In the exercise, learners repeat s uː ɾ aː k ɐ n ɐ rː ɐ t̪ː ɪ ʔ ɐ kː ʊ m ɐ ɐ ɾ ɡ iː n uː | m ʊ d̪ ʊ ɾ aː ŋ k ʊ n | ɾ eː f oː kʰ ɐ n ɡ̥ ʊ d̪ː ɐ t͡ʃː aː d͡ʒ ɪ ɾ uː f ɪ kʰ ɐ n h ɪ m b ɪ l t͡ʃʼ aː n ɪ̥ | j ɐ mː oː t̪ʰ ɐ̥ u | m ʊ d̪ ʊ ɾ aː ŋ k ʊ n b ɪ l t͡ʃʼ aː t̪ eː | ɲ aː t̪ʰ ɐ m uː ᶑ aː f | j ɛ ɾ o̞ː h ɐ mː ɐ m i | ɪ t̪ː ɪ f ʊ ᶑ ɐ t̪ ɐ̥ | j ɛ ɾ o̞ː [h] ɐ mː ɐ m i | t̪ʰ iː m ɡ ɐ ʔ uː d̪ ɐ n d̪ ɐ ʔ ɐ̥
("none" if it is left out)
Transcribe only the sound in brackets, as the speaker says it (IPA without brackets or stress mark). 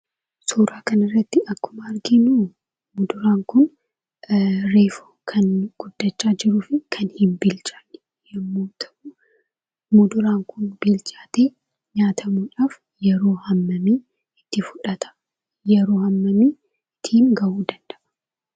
h